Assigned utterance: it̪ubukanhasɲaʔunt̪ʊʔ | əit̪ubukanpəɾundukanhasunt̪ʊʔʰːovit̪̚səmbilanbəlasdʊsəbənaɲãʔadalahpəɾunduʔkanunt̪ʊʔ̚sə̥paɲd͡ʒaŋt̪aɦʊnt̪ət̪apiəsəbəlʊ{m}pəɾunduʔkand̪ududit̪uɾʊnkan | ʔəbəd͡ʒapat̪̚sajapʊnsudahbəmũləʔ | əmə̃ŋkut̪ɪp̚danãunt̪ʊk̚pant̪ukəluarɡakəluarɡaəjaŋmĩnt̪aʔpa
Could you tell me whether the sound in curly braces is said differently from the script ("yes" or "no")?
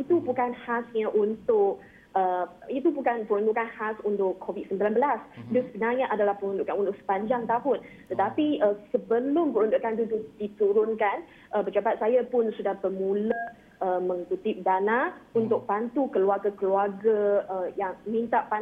no